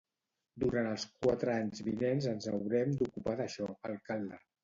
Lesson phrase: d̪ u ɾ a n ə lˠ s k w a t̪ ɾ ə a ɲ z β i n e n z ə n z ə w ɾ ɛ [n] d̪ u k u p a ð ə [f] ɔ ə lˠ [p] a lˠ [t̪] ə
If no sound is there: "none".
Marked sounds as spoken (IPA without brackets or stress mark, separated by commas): m, ʃ, k, d̪